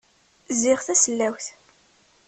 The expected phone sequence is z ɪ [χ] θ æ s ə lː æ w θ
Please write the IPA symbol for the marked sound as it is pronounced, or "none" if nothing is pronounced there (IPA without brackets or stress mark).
ʁ